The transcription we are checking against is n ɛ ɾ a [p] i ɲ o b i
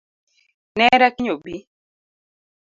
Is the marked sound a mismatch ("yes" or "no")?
yes